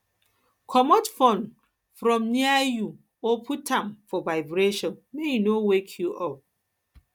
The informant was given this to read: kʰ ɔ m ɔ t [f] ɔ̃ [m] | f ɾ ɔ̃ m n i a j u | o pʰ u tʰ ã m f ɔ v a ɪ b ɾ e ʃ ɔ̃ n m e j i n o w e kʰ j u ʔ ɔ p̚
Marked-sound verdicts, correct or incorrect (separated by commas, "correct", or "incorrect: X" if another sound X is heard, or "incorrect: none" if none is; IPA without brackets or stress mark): correct, incorrect: n